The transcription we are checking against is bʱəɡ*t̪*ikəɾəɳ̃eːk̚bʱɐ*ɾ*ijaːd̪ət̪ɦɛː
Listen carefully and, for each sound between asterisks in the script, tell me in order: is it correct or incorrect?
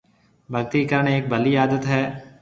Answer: correct, incorrect

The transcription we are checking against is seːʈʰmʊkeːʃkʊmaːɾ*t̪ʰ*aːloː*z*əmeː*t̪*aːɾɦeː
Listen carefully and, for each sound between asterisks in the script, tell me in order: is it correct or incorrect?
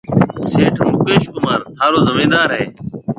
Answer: correct, correct, incorrect

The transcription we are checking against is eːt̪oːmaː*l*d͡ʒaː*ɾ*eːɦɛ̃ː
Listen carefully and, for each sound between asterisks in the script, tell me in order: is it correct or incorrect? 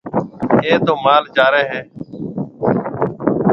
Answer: correct, correct

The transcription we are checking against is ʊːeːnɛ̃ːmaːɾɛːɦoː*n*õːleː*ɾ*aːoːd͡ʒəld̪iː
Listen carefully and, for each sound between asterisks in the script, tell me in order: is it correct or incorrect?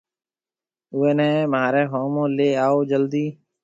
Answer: incorrect, incorrect

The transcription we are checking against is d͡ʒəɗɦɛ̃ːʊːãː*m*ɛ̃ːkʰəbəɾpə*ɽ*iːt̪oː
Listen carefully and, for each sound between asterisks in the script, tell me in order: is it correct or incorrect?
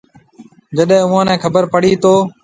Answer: incorrect, correct

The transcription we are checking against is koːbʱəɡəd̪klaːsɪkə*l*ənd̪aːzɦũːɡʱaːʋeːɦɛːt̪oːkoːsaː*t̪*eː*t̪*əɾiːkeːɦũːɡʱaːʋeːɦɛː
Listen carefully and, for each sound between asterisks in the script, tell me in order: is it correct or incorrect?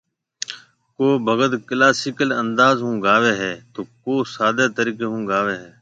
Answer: correct, incorrect, correct

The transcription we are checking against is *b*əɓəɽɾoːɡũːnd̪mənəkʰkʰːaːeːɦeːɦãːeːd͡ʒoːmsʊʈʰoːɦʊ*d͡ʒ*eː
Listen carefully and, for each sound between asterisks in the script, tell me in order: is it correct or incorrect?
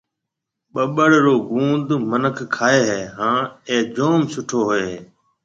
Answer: incorrect, incorrect

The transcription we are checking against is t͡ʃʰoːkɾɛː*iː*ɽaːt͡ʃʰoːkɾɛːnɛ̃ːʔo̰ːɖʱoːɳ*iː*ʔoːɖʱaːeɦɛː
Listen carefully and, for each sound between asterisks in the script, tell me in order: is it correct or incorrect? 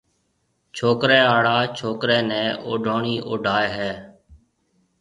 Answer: incorrect, correct

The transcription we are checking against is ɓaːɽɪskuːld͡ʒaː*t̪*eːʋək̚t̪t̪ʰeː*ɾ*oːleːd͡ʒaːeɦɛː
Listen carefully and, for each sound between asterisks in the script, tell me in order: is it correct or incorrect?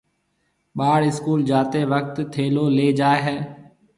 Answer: correct, incorrect

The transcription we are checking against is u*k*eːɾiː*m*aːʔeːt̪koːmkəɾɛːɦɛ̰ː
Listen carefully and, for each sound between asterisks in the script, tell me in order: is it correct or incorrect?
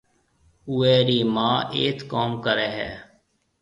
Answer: incorrect, correct

